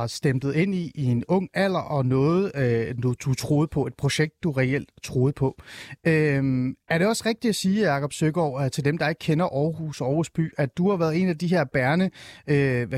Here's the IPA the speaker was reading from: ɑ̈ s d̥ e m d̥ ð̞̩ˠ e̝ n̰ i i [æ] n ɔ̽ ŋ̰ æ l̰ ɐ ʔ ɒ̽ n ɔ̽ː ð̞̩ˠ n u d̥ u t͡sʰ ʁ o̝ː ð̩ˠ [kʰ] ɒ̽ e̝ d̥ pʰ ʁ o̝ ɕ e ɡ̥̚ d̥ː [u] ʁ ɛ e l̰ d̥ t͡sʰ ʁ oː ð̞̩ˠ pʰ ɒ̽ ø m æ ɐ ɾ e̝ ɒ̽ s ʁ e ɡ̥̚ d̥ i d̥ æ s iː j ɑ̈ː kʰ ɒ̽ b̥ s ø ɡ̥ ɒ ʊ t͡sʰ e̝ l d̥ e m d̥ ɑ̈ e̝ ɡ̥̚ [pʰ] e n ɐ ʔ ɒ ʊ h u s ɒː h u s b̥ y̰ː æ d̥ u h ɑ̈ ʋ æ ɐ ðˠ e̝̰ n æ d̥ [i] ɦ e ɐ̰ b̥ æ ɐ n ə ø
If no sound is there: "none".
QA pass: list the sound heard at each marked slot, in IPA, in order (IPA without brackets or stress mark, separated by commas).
e, pʰ, u, kʰ, i